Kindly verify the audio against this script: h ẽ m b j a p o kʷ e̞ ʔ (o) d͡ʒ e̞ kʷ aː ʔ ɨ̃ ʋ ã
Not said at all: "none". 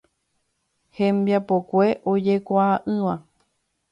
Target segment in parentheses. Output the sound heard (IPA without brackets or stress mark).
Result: o